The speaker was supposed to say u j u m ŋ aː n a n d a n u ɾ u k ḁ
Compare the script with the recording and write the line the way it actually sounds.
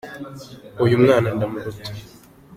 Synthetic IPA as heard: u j u m ŋ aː n a n d a m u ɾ u t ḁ

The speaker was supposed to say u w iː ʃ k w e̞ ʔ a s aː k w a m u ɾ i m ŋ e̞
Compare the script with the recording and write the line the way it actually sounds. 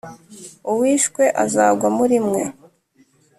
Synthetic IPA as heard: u w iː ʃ k w e̞ ʔ a z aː ɡ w a m u ɾ i m ŋ e̞

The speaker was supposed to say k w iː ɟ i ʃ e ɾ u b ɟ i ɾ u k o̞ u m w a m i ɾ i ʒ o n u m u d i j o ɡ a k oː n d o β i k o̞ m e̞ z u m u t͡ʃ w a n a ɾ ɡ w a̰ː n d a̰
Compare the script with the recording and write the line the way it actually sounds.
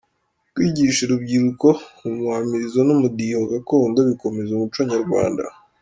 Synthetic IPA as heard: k w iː ɟ i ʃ e ɾ u b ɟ i ɾ u k o̞ u m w a m i ɾ i z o n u m u d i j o ɡ a k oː n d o β i k o̞ m e̞ z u m u t͡ʃ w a ɲ a ɾ ɡ w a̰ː n d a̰

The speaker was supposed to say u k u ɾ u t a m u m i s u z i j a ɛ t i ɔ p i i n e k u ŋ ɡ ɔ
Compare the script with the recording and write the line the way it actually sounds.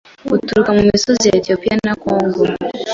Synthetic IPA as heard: u t u ɾ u k a m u m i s ɔ z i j a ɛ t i ɔ p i a n a k ɔ ŋ ɡ ɔ

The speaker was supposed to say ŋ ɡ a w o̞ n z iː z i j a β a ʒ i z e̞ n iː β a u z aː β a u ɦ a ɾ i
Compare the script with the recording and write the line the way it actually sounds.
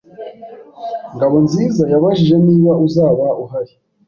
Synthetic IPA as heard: ŋ ɡ a β o̞ n z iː z a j a β a ʒ i ʒ e̞ n iː β a u z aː β a u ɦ a ɾ i

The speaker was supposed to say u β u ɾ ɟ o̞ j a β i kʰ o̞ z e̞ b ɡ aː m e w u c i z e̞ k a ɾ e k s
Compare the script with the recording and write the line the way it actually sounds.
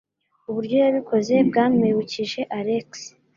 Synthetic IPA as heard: u β u ɾ ɟ o̞ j a β i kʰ o̞ z e̞ b ɡ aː m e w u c i ʒ e̞ ʔ a ɾ e k s

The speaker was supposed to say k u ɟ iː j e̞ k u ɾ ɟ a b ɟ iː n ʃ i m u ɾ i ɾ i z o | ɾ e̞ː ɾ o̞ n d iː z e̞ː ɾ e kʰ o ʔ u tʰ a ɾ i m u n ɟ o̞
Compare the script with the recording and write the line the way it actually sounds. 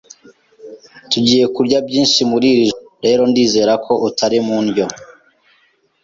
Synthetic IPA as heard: t u ɟ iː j e̞ k u ɾ ɟ a b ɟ iː n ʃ i m u ɾ i ɾ i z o | ɾ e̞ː ɾ o̞ n d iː z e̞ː ɾ a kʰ o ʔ u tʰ a ɾ i m u n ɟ o̞

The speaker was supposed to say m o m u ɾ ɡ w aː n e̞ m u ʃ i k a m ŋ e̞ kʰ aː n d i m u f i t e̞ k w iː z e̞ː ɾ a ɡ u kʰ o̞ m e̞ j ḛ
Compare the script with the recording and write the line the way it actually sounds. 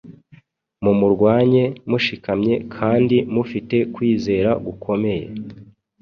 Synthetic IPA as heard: m u m u ɾ ɡ w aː ɲ e̞ m u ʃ i k a m ɲ e̞ kʰ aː n d i m u f i t e̞ k w iː z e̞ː ɾ a ɡ u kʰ o̞ m e̞ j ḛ

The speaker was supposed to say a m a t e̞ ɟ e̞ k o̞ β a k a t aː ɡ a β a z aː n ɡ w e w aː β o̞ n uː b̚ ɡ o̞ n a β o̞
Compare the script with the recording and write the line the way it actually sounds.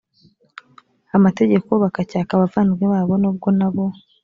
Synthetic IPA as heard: a m a t e̞ ɟ e̞ k o̞ β a k a c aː k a β a v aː n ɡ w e β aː β o̞ n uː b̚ ɡ o̞ n a β o̞

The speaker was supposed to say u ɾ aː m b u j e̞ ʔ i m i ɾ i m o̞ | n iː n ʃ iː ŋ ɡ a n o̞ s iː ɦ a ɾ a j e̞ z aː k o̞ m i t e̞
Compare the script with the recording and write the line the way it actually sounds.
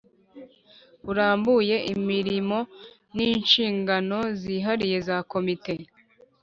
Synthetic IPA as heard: u ɾ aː m b u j e̞ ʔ i m i ɾ i m o̞ | n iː n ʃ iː ŋ ɡ a n o̞ z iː ɦ a ɾ i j e̞ z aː k o̞ m i t e̞

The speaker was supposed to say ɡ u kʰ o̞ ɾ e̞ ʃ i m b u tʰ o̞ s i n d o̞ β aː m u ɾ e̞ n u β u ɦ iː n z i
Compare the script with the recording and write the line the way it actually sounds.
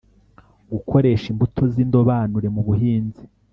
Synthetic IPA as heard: ɡ u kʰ o̞ ɾ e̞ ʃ i m b u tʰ o̞ z i n d o̞ β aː n u ɾ e̞ m u β u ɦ iː n z i

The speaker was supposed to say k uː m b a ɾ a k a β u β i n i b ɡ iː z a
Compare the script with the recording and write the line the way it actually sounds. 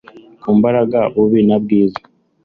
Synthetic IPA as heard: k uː m b a ɾ a ɡ a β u β i n a b ɡ iː z a

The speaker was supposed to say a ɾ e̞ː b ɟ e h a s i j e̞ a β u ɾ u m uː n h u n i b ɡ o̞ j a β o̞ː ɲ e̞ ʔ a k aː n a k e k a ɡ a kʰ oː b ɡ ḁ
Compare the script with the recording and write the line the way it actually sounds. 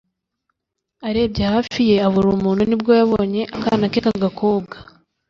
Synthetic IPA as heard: a ɾ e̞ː b ɟ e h a f i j e̞ a β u ɾ u m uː n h u n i b ɡ o̞ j a β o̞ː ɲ e̞ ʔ a k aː n a k e k a ɡ a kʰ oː b ɡ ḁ

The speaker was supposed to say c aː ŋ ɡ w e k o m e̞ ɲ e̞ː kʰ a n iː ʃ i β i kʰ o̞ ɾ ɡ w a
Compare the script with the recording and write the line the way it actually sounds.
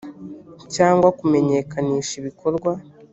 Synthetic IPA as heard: c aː ŋ ɡ w a k u m e̞ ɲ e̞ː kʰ a n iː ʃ i β i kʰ o̞ ɾ ɡ w a

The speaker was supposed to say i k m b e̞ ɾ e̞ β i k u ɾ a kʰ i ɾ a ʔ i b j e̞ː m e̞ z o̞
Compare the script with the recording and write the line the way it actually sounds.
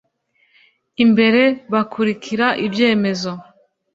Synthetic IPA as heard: i m b e̞ ɾ e̞ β a k u ɾ i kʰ i ɾ a ʔ i b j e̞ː m e̞ z o̞

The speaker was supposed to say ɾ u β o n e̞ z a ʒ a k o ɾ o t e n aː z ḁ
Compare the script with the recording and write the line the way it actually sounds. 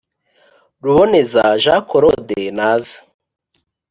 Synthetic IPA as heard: ɾ u β o n e̞ z a ʒ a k o ɾ o d e n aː z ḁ

